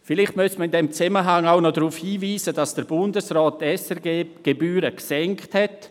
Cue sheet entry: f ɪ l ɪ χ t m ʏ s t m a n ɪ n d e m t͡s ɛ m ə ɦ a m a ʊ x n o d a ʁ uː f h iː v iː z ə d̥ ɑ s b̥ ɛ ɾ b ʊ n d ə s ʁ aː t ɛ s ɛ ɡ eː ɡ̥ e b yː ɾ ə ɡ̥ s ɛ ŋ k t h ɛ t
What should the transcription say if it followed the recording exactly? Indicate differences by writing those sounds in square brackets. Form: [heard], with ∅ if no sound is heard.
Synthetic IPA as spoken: f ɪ l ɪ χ t m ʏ s t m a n ɪ n d e m t͡s ɛ m ə ɦ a [ŋ] a ʊ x n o d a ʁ uː f h iː v iː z ə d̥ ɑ s [d̥] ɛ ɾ b ʊ n d ə s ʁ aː t ɛ s ɛ ɡ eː ɡ̥ e b yː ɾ ə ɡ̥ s ɛ ŋ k t h ɛ t